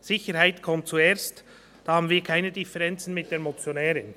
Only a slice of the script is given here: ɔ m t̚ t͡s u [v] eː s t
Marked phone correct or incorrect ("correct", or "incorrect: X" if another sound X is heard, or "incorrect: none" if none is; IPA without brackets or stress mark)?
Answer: incorrect: none